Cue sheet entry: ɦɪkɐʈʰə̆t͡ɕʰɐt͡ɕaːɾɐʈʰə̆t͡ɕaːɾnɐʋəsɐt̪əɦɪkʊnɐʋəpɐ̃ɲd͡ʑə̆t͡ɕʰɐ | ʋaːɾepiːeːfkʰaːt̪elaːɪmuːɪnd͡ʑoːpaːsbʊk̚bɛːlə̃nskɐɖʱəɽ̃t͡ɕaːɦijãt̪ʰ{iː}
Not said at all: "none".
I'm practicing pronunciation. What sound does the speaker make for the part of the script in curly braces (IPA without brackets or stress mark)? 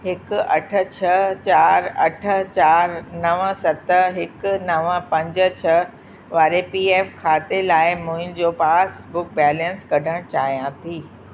iː